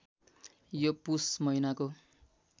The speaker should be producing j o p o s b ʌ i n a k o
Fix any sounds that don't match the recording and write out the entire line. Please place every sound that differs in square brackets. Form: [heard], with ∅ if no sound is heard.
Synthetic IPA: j o p [u] s [m] ʌ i n a k o